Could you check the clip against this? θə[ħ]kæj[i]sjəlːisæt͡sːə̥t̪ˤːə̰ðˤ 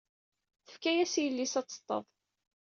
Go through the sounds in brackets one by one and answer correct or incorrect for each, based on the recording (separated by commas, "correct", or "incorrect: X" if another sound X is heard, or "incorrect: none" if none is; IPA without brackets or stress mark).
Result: incorrect: f, incorrect: æ